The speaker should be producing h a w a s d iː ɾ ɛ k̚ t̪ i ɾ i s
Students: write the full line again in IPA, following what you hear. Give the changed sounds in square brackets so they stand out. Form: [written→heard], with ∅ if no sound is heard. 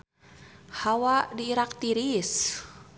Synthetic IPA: h a w a [s→∅] d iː ɾ [ɛ→a] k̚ t̪ i ɾ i s